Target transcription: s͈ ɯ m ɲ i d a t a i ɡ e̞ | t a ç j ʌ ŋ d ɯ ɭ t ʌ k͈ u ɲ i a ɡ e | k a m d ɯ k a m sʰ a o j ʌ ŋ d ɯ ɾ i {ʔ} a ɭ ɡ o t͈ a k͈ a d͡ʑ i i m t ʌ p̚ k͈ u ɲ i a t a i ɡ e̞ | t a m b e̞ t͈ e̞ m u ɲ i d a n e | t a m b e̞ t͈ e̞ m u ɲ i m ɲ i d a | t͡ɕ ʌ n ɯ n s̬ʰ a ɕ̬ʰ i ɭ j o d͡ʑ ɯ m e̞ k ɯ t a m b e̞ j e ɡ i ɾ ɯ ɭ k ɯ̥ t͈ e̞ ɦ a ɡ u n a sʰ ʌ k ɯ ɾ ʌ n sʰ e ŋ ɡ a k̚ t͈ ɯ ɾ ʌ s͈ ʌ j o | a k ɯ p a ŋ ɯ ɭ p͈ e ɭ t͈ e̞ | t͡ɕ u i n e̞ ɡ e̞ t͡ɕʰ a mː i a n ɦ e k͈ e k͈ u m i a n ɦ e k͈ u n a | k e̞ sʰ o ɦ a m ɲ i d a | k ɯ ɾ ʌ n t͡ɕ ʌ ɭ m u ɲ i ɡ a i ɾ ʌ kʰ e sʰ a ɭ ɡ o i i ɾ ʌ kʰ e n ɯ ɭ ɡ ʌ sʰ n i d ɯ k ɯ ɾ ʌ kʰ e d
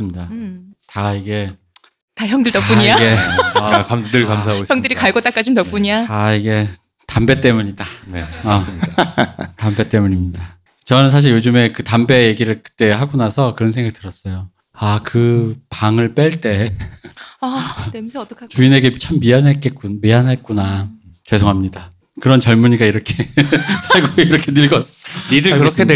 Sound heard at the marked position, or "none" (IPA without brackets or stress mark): k